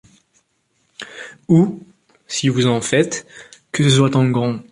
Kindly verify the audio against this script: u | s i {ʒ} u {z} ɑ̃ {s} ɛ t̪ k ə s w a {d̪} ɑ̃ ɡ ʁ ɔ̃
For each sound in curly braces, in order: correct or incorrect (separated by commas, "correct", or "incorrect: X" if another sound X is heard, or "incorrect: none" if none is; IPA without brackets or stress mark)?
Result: incorrect: v, correct, incorrect: f, incorrect: t̪